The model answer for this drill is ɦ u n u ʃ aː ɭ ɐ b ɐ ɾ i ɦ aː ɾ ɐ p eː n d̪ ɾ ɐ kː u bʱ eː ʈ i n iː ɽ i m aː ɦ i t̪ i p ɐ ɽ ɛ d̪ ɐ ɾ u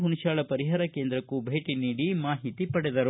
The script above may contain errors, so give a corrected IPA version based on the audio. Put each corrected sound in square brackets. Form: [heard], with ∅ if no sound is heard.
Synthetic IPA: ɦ u n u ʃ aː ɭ ɐ [p] ɐ ɾ i ɦ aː ɾ ɐ [k] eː n d̪ ɾ ɐ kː u bʱ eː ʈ i n iː ɽ i m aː ɦ i t̪ i p ɐ ɽ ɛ d̪ ɐ ɾ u